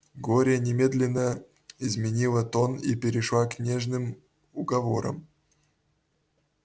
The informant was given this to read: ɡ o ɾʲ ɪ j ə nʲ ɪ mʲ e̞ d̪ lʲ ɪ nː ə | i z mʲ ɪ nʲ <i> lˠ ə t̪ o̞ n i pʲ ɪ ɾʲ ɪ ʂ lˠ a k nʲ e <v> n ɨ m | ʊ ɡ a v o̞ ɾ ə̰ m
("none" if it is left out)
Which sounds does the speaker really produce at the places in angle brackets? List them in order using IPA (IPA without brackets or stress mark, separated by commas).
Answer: i, ʐ